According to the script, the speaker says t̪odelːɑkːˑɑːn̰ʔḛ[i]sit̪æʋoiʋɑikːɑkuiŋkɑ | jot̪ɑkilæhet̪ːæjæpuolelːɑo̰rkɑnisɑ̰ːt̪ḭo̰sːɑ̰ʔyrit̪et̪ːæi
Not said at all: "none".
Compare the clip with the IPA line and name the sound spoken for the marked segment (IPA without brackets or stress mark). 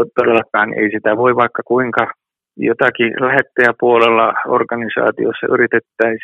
i